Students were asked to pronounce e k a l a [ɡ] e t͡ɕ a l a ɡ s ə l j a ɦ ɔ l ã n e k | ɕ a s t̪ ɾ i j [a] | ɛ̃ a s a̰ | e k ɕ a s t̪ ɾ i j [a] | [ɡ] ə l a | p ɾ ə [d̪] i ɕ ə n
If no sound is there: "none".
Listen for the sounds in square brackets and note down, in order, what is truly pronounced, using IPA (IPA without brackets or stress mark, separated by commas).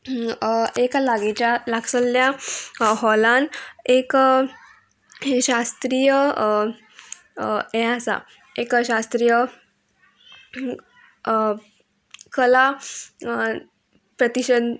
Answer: ɡ, ə, ə, k, t̪